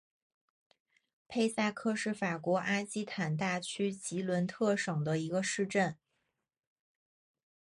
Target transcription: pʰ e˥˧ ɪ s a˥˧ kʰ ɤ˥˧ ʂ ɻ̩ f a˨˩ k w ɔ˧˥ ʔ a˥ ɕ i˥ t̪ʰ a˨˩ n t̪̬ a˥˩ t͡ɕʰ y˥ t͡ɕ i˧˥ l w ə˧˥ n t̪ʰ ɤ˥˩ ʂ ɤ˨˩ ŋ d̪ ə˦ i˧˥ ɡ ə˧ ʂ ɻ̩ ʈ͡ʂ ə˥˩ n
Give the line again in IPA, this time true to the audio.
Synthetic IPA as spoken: pʰ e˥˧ ɪ s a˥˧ kʰ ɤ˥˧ ʂ ɻ̩ f a˨˩ k w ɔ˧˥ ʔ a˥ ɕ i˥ t̪ʰ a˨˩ n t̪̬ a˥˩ t͡ɕʰ y˥ t͡ɕ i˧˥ l w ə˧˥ n t̪ʰ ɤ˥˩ ʂ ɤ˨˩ ŋ d̪ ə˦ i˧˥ ɡ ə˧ ʂ ɻ̩ ʈ͡ʂ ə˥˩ n

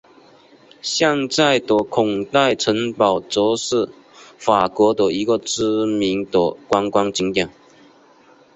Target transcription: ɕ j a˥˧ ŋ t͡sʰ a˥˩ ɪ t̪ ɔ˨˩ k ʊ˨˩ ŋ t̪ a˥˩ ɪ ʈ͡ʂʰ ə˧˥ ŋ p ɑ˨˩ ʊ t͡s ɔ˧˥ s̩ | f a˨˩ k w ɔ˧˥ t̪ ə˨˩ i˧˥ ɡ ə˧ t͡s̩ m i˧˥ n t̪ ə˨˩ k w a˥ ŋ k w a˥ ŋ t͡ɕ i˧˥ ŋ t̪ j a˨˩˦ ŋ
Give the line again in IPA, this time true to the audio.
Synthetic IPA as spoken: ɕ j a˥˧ ŋ t͡s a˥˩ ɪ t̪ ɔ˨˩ kʰ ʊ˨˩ ŋ t̪ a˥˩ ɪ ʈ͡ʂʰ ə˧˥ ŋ p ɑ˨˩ ʊ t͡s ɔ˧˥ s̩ | f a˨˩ k w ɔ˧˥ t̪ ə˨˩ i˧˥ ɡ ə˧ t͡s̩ m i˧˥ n t̪ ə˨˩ k w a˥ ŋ k w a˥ ŋ t͡ɕ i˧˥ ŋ t̪ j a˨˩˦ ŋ

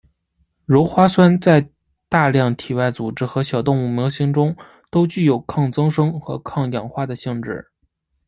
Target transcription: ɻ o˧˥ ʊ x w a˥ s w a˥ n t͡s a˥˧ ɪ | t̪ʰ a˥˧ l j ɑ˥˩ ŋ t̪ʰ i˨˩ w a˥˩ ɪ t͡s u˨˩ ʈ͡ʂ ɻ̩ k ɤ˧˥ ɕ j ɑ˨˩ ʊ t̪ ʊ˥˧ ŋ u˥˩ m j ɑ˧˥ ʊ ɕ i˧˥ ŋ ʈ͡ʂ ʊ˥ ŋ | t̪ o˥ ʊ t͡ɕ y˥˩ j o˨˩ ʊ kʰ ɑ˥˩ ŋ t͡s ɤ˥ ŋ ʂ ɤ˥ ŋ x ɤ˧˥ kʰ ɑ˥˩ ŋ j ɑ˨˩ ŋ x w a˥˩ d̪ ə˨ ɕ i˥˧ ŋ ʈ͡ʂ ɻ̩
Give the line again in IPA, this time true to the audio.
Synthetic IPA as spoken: ɻ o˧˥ ʊ x w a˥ s w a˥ n t͡s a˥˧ ɪ | t̪ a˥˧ l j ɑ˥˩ ŋ t̪ʰ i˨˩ w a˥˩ ɪ t͡s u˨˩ ʈ͡ʂ ɻ̩ x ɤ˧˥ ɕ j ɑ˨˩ ʊ t̪ ʊ˥˧ ŋ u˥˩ m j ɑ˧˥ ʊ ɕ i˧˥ ŋ ʈ͡ʂ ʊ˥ ŋ | t̪ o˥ ʊ t͡ɕ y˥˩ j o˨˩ ʊ kʰ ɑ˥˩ ŋ t͡s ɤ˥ ŋ ʂ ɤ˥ ŋ x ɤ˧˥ kʰ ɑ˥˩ ŋ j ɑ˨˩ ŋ x w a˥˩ d̪ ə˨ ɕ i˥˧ ŋ ʈ͡ʂ ɻ̩

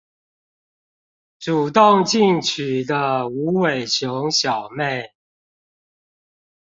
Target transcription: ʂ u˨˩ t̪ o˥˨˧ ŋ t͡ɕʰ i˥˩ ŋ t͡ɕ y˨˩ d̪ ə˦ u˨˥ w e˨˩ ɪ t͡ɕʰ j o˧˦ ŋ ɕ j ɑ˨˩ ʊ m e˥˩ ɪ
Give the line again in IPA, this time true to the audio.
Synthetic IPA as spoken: ʈ͡ʂ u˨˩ t̪ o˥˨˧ ŋ t͡ɕ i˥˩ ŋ t͡ɕʰ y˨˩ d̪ ə˦ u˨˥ w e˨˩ ɪ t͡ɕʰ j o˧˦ ŋ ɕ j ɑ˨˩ ʊ m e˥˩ ɪ

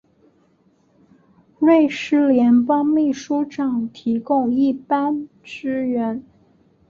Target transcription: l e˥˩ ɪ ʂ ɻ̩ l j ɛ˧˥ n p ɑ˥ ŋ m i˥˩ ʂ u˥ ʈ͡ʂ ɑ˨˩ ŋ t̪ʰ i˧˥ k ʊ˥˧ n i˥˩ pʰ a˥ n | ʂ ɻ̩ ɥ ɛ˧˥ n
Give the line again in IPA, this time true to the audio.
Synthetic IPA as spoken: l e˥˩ ɪ ʂ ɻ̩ l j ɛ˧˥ n p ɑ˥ ŋ m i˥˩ ʂ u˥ ʈ͡ʂ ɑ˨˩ ŋ t̪ʰ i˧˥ k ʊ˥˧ ŋ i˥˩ p a˥ n | ʈ͡ʂ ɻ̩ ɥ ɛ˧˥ n

